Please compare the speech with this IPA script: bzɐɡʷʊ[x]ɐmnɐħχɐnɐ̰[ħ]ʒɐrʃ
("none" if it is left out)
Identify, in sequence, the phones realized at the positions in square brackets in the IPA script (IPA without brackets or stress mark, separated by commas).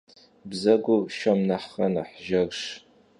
ʃ, ħ